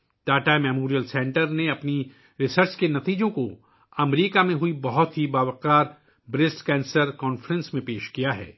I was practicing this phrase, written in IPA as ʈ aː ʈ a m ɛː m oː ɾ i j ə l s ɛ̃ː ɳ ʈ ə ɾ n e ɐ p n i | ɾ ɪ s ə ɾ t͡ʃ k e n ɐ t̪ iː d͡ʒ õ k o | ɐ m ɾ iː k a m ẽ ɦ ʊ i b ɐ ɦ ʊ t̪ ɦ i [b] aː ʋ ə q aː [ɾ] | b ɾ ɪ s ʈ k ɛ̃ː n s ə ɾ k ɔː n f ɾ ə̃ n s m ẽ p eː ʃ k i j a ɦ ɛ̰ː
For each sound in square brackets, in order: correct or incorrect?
correct, correct

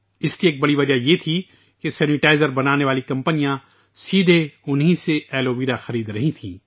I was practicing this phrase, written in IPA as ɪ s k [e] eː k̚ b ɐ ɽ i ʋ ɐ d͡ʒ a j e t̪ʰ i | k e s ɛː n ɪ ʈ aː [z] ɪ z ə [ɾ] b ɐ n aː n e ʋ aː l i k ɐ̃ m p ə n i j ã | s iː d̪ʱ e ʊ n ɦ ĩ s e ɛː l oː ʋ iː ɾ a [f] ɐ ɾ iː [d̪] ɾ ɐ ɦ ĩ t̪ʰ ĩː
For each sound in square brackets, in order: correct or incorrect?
incorrect, incorrect, correct, incorrect, correct

